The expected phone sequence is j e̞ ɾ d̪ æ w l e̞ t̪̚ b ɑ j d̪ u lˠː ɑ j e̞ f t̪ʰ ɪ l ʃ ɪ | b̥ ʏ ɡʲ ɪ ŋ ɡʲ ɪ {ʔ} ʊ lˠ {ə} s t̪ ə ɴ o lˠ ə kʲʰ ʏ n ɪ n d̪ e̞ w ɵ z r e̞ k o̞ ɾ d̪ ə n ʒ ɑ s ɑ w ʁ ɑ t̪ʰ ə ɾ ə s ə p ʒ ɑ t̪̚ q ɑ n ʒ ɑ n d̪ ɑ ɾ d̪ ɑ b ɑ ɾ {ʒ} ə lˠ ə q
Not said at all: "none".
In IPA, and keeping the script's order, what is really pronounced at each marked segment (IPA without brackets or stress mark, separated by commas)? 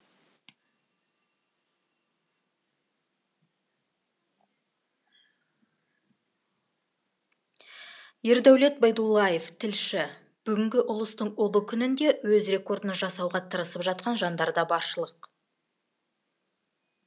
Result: ʔ, ə, ʃ